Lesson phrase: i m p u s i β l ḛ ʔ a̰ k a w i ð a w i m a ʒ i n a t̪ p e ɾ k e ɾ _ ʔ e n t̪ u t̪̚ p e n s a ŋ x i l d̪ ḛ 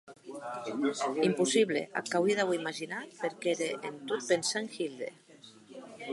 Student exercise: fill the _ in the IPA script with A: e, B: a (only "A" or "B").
A